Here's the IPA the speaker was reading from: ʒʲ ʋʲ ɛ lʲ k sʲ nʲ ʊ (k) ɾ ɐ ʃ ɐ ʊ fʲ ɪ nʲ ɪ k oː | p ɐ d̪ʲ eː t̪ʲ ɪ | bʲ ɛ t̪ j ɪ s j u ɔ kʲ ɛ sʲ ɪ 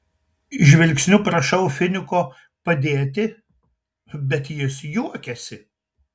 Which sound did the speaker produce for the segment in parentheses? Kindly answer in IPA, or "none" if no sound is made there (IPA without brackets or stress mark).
p